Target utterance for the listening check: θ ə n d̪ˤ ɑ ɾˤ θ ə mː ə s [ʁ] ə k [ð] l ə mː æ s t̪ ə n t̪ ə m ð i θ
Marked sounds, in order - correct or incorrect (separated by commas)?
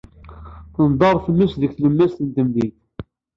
incorrect, incorrect